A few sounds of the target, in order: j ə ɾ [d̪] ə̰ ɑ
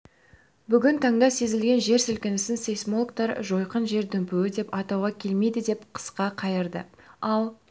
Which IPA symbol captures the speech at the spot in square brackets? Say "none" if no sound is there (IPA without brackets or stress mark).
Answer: d̪